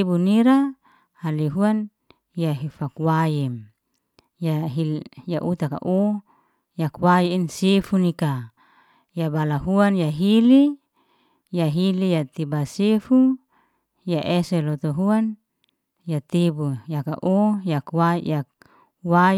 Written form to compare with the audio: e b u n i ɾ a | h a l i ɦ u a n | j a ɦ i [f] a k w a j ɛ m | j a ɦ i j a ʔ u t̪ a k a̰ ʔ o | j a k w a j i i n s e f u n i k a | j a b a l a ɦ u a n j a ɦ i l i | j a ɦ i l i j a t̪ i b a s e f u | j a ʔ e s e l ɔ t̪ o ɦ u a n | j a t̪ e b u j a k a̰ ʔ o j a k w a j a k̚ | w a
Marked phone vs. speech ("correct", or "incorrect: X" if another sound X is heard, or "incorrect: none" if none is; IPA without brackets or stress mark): correct